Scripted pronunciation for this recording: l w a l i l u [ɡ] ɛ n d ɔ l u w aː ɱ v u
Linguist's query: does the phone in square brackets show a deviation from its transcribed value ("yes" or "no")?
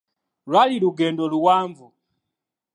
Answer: no